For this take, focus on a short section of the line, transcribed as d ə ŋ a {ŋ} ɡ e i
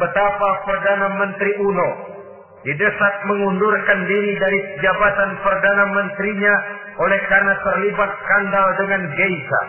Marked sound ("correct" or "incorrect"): incorrect